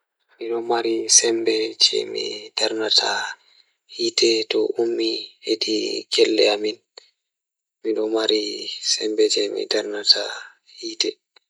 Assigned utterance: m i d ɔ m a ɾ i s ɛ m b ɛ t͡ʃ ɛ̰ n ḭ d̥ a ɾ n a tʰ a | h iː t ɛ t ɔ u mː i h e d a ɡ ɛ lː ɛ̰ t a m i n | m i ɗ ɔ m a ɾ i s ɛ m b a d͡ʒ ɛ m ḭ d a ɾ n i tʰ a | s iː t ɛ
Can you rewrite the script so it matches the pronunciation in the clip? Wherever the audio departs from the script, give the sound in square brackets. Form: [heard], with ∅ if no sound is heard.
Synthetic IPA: m i [ɗ] ɔ m a ɾ i s ɛ m b ɛ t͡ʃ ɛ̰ [m] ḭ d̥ a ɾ n a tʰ a | h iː t ɛ t ɔ u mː i h e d [i] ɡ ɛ lː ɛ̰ [∅] a m i n | m i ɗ ɔ m a ɾ i s ɛ m b [ɛ] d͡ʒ ɛ m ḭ d a ɾ n [a] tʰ a | [h] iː t ɛ